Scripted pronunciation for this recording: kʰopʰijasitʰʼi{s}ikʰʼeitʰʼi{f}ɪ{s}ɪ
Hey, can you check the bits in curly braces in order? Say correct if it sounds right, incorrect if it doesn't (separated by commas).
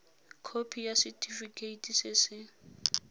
incorrect, incorrect, correct